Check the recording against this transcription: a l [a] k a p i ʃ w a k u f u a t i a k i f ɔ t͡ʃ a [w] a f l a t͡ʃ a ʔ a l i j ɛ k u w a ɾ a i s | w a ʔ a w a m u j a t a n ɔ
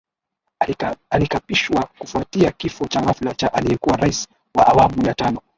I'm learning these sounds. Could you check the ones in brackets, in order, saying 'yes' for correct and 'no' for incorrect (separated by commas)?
no, no